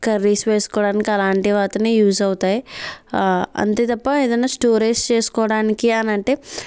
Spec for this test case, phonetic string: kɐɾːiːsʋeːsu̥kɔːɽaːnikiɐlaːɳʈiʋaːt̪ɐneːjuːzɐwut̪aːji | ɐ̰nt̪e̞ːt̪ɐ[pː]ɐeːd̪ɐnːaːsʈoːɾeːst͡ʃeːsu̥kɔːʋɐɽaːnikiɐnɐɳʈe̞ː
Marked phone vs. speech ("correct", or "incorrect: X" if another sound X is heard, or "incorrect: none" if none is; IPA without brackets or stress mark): correct